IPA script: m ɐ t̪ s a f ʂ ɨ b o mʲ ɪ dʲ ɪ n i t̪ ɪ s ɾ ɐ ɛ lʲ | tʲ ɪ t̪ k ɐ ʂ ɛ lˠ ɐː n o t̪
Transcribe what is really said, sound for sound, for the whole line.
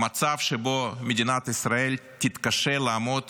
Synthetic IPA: m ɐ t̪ s a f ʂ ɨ b o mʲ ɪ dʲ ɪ n a t̪ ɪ s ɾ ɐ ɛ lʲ | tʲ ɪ t̪ k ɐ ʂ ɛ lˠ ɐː m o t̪